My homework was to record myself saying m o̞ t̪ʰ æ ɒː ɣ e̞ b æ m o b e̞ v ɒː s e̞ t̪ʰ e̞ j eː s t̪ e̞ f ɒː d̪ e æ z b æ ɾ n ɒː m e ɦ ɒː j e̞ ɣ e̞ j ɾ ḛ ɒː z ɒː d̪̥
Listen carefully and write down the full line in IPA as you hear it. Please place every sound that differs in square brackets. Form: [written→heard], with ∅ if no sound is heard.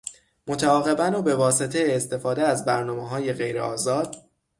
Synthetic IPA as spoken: m o̞ t̪ʰ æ ɒː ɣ e̞ b æ [m→n] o b e̞ v ɒː s e̞ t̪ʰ e̞ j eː s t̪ e̞ f ɒː d̪ e æ z b æ ɾ n ɒː m e ɦ ɒː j e̞ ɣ e̞ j ɾ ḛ ɒː z ɒː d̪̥